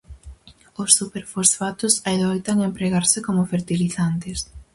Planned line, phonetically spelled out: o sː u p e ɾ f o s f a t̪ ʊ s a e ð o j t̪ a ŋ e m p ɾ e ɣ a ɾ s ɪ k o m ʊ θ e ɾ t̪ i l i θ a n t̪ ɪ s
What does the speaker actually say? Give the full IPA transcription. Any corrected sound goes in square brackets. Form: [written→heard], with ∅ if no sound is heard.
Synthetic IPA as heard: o sː u p e ɾ f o s f a t̪ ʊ s a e ð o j t̪ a ŋ e m p ɾ e ɣ a ɾ s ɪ k o m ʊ [θ→f] e ɾ t̪ i l i θ a n t̪ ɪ s